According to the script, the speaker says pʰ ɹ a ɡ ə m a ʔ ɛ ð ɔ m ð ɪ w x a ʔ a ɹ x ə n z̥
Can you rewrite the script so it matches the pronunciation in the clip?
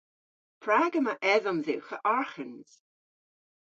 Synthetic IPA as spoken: pʰ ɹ a ɡ ə m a ʔ ɛ ð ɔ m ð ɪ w x ə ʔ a ɹ x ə n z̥